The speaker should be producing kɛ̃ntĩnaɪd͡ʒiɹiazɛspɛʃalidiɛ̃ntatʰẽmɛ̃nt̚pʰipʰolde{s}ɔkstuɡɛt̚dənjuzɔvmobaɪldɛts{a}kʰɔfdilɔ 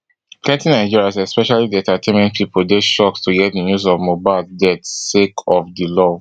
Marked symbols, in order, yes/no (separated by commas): no, no